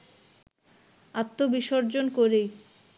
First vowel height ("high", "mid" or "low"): low